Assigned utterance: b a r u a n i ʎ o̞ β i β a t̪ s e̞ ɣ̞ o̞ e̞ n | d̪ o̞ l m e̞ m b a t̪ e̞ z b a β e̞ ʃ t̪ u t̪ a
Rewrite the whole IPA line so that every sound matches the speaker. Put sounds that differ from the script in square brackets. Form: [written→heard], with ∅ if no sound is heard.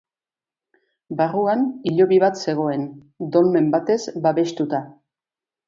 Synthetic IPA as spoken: b a r u a n i ʎ o̞ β i β a t̪ s e̞ ɣ̞ o̞ e̞ n | d̪ o̞ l m e̞ m b a t̪ e̞ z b a β e̞ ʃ t̪ u t̪ a